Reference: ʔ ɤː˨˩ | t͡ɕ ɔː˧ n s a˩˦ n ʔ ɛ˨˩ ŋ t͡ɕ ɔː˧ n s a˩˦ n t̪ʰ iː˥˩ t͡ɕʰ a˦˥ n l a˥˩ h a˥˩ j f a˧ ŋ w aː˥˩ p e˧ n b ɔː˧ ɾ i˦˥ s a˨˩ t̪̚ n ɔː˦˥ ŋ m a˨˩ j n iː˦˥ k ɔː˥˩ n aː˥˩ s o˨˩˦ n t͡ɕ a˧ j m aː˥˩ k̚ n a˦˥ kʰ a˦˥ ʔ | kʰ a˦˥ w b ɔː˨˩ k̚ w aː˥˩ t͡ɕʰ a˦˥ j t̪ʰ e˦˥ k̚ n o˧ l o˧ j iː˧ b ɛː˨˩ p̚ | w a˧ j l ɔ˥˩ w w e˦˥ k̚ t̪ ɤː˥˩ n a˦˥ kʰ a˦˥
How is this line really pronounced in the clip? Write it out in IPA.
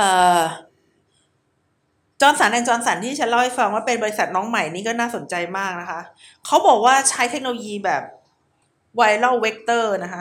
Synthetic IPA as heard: ʔ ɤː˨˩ | t͡ɕ ɔː˧ n s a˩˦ n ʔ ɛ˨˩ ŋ t͡ɕ ɔː˧ n s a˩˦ n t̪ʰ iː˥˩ t͡ɕʰ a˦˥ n l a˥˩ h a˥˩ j f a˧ ŋ w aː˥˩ p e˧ n b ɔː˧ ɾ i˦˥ s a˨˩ t̪̚ n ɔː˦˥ ŋ m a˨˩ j n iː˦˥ k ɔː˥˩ n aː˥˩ s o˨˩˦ n t͡ɕ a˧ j m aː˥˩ k̚ n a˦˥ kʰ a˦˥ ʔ | kʰ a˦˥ w b ɔː˨˩ k̚ w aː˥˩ t͡ɕʰ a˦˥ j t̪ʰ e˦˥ k̚ n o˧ l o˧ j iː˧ b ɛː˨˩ p̚ | w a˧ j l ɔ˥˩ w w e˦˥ k̚ t̪ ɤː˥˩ n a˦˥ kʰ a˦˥